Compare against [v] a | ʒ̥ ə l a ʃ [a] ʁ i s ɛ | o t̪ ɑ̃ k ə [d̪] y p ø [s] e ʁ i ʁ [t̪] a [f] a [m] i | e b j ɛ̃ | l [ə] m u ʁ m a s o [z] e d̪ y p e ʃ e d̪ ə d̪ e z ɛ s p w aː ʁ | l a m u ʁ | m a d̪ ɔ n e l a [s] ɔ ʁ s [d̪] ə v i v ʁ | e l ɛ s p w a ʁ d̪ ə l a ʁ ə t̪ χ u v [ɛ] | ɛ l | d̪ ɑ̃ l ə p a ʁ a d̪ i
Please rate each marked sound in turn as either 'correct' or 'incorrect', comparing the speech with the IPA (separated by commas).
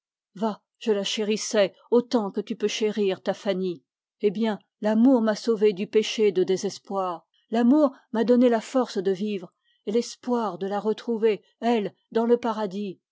correct, incorrect, incorrect, incorrect, correct, correct, incorrect, incorrect, incorrect, incorrect, correct, incorrect